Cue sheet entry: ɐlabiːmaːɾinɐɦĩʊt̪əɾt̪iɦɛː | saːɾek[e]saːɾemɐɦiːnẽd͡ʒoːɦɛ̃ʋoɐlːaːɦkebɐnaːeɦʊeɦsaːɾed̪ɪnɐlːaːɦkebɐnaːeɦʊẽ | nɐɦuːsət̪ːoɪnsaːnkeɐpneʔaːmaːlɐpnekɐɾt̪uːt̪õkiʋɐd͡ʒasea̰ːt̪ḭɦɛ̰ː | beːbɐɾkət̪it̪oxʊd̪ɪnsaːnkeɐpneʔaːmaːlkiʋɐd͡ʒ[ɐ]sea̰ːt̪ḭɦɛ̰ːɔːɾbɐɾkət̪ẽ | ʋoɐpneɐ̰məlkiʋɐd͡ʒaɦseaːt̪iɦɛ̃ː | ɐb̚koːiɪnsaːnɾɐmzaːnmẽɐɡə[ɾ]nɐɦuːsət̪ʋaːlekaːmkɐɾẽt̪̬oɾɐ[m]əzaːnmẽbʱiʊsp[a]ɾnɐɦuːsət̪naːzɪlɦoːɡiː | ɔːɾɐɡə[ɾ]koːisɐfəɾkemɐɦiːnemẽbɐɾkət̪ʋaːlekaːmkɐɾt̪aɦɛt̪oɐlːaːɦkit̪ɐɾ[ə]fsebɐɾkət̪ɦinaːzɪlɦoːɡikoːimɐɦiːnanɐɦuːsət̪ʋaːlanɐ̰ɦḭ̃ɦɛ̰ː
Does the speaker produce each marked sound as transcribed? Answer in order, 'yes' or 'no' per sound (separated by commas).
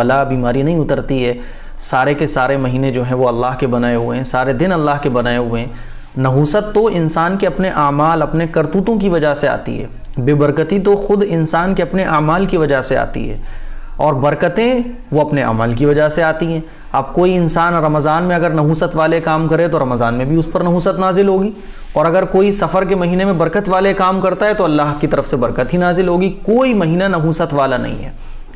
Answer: yes, no, yes, yes, no, yes, yes